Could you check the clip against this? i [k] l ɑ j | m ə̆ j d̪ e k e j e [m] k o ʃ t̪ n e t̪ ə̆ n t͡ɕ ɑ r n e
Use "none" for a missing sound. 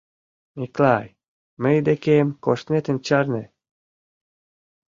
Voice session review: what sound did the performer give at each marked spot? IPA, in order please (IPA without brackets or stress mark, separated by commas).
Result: k, m